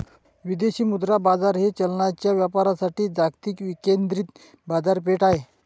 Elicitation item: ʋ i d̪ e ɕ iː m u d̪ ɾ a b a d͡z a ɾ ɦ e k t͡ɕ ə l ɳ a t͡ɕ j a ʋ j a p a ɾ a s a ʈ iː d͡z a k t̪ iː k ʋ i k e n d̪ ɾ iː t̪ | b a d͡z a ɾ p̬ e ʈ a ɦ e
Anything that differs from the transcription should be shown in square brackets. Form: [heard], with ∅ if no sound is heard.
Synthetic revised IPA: ʋ i d̪ e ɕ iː m u d̪ ɾ a b a d͡z a ɾ ɦ e [∅] t͡ɕ ə l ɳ a t͡ɕ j a ʋ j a p a ɾ a s a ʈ iː d͡z a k t̪ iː k ʋ i k e n d̪ ɾ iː t̪ | b a d͡z a ɾ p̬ e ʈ a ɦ e